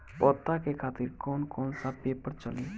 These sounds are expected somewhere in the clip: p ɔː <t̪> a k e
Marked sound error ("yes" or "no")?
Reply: no